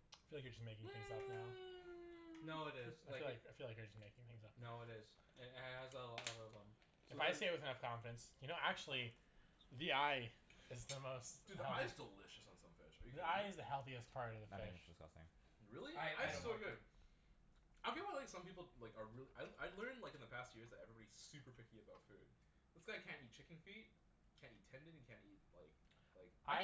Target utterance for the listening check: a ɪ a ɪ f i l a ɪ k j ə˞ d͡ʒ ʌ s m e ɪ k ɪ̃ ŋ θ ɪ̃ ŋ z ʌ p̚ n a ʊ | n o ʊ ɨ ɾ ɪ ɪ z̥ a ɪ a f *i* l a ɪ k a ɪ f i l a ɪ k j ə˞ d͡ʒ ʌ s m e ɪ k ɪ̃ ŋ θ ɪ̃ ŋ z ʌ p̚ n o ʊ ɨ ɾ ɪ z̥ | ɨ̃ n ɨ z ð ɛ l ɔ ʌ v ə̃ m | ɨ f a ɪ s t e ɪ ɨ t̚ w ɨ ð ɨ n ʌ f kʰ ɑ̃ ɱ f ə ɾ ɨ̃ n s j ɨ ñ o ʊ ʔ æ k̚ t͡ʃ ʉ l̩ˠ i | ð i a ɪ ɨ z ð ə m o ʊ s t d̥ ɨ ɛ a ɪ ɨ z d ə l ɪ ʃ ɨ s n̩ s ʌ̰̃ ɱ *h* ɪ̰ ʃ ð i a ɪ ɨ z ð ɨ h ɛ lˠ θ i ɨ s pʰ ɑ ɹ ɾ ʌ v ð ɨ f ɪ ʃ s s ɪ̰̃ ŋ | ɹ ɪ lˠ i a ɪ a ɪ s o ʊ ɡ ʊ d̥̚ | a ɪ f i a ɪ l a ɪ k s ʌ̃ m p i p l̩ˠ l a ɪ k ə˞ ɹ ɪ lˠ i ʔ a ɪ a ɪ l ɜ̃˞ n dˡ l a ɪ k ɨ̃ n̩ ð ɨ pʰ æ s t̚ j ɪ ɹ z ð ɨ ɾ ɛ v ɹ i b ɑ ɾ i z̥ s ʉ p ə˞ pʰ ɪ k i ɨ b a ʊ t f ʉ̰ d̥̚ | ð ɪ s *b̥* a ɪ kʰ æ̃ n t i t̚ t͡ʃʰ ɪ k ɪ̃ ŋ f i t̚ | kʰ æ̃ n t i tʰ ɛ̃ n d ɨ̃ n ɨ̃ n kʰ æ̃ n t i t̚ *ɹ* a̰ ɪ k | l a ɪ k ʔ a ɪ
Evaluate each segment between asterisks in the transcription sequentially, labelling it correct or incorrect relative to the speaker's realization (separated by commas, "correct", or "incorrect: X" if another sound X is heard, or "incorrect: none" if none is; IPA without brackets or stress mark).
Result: correct, incorrect: f, incorrect: ɡ̥, incorrect: l